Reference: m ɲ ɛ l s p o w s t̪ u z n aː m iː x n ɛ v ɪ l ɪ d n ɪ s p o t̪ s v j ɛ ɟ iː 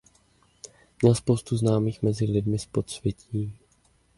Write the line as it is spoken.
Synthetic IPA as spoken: m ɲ ɛ l s p o w s t̪ u z n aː m iː x m ɛ z ɪ l ɪ d m ɪ s p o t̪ s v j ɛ c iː